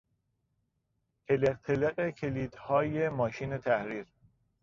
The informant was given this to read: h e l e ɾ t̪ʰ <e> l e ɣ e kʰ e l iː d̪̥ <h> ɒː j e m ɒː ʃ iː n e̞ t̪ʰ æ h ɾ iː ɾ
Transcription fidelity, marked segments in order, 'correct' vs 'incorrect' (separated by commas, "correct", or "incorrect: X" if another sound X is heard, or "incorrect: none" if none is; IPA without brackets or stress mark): correct, correct